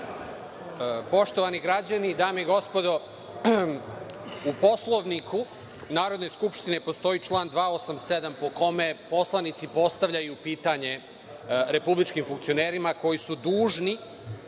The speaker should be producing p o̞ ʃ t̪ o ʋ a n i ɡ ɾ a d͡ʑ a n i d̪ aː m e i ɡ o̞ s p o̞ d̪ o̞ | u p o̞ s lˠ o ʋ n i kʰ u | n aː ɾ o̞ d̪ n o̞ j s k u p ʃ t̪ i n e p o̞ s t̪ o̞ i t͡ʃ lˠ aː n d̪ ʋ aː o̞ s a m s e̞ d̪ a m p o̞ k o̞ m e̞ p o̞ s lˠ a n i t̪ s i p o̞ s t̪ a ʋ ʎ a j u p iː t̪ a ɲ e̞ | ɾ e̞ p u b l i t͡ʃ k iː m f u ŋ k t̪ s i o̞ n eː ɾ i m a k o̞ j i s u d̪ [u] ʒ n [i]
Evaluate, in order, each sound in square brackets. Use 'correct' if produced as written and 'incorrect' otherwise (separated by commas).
incorrect, correct